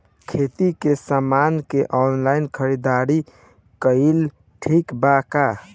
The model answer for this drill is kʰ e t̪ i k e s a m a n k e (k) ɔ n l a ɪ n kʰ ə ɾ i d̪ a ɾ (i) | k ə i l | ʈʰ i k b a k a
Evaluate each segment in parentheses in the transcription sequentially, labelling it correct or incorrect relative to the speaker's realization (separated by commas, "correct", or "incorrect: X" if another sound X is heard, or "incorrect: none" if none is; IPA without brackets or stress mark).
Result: incorrect: ʔ, correct